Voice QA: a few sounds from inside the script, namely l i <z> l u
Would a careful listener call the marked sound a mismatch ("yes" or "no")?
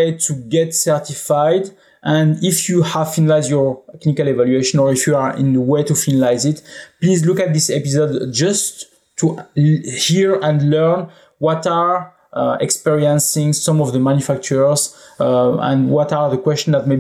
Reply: no